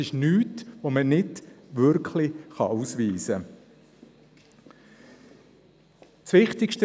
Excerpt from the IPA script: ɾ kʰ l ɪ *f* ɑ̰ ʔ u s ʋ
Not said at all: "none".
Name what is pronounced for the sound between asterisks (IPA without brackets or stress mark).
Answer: χ